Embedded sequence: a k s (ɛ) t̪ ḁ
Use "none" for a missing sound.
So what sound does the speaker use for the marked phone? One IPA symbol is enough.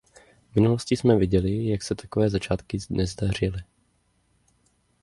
ɛ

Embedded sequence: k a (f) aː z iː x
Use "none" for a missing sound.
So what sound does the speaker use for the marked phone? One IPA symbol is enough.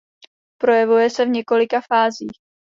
f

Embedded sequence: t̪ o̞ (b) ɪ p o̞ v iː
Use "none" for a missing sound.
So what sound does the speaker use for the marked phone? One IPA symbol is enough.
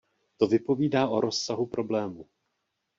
v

